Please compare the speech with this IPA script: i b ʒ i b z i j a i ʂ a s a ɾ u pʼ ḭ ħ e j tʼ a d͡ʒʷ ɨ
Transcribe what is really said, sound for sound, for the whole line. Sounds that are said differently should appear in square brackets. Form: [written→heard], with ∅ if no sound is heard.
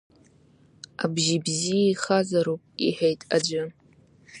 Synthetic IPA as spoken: [i→a] b ʒ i b z i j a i [ʂ→χ] a [s→z] a ɾ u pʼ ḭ ħ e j tʼ a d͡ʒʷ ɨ